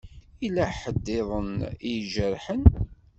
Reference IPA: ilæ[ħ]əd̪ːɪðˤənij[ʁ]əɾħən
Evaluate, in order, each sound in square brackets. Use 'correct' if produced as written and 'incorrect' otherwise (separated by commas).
correct, incorrect